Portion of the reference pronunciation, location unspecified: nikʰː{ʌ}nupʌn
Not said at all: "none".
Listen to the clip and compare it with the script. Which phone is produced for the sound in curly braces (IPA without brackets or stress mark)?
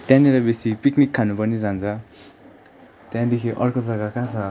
a